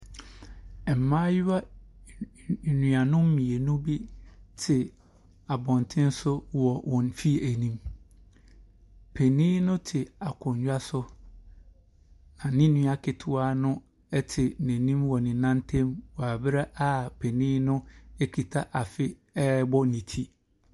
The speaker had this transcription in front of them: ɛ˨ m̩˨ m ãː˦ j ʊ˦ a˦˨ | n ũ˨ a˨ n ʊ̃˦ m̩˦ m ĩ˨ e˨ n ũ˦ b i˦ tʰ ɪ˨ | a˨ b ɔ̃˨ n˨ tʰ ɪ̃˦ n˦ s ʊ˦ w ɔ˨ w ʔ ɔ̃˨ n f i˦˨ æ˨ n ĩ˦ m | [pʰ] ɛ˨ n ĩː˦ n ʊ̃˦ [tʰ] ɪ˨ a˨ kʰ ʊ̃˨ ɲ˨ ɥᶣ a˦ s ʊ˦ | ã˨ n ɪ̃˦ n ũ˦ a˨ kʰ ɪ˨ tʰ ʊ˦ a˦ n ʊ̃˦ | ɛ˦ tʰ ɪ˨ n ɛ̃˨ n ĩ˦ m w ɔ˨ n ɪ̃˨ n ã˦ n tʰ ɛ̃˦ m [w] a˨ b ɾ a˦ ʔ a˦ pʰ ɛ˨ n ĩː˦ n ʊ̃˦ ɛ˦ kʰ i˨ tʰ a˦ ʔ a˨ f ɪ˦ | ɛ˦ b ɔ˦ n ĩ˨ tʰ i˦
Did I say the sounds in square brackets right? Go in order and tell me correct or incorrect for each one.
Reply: correct, correct, correct

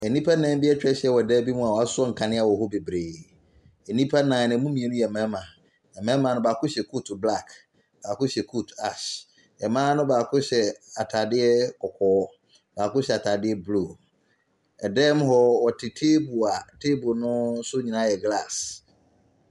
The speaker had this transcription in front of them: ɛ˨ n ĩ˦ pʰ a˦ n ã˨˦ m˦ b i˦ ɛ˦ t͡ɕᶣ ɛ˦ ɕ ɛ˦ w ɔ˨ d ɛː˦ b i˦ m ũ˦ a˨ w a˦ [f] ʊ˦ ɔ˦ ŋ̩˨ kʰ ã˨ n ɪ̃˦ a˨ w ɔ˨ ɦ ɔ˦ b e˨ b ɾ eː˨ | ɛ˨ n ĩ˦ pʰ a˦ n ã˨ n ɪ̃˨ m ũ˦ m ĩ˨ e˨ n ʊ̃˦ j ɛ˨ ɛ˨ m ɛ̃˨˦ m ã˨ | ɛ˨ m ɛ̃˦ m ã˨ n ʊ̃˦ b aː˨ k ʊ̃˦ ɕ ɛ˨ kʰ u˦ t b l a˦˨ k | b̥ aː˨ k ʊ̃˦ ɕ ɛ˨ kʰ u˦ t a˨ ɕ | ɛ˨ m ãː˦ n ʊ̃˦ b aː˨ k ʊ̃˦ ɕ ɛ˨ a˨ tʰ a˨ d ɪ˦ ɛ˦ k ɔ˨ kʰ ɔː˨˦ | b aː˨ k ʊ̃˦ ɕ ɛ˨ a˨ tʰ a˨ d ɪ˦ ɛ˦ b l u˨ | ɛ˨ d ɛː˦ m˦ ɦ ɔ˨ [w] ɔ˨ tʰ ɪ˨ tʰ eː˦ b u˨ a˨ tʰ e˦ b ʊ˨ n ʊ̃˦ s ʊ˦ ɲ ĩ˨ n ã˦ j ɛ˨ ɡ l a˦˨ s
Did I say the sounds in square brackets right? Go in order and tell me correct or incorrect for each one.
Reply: incorrect: s, correct

